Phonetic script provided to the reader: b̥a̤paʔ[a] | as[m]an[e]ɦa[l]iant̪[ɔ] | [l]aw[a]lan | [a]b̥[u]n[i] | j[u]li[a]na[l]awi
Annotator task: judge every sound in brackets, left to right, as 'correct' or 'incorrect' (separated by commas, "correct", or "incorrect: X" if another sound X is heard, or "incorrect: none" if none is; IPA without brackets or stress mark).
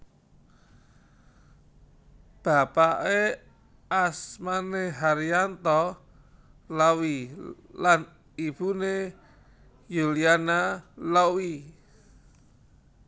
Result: incorrect: e, correct, correct, incorrect: ɾ, correct, correct, incorrect: i, incorrect: i, correct, incorrect: e, correct, correct, correct